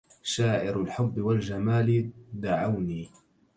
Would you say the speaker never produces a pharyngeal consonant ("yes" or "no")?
no